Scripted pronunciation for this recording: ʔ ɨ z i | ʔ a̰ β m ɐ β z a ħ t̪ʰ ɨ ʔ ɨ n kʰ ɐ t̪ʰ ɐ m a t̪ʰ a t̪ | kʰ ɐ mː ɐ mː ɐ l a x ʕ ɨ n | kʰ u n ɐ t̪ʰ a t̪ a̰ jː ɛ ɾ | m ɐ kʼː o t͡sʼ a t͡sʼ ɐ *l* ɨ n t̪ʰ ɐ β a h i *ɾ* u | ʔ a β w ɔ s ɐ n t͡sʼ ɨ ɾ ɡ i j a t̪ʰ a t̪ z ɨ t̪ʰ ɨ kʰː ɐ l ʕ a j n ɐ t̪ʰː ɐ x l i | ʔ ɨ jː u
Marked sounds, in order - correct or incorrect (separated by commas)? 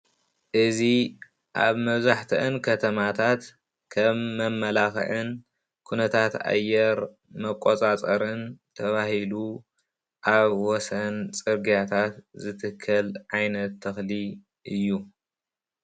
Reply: incorrect, incorrect